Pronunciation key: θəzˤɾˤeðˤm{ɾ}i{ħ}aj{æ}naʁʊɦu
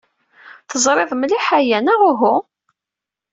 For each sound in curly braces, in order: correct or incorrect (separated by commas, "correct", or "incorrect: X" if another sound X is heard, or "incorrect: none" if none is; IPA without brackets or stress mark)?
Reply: incorrect: l, correct, correct